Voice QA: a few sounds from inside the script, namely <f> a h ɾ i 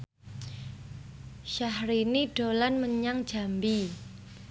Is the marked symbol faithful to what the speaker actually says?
no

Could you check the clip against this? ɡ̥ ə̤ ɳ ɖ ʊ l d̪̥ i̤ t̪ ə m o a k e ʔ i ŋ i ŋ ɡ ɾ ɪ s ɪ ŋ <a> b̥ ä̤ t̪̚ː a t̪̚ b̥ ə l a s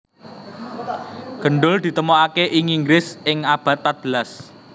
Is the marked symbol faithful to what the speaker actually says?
yes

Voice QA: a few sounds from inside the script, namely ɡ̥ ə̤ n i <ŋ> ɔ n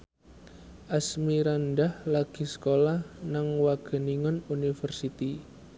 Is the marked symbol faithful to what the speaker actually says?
yes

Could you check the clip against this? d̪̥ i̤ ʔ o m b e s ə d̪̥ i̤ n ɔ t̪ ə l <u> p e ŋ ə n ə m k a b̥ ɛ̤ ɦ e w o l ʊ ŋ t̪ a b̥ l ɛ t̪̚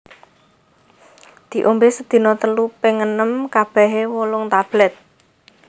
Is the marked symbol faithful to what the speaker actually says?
yes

